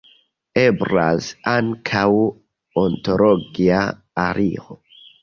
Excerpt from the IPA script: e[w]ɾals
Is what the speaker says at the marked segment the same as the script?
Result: no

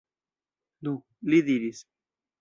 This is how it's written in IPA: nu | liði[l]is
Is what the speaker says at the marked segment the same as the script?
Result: no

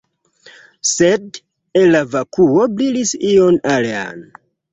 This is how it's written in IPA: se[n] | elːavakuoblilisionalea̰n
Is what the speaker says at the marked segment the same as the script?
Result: no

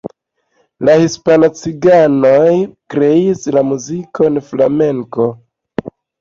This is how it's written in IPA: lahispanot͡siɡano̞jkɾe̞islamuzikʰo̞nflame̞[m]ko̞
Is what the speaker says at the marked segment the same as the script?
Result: no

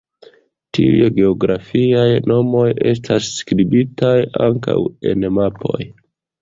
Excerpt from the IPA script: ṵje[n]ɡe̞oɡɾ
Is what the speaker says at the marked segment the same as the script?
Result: no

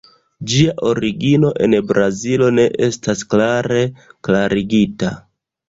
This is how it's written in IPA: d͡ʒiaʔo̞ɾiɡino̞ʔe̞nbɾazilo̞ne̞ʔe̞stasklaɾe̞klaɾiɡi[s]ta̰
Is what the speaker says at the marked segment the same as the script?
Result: no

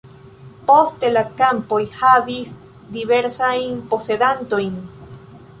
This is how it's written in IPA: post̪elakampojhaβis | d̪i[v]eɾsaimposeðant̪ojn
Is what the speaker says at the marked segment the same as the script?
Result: no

